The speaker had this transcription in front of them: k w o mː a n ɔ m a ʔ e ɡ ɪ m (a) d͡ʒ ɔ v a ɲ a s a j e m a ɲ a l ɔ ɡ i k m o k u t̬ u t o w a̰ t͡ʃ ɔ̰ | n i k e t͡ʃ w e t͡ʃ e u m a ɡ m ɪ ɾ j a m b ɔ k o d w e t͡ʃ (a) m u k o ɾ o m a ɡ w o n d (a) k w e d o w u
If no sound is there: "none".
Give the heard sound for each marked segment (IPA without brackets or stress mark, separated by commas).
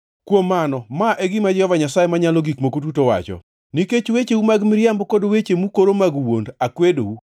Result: a, e, a